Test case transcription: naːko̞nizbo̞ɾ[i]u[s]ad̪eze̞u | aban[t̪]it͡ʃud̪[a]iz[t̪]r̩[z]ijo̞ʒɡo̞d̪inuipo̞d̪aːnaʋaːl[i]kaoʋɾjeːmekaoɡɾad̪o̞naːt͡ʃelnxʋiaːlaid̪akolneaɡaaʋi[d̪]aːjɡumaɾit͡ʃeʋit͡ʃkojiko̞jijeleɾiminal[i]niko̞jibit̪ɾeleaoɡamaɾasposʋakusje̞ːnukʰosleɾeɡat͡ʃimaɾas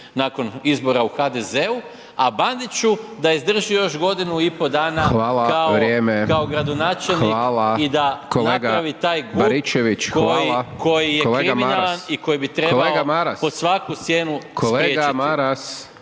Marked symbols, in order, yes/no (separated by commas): no, no, no, yes, no, no, no, no, no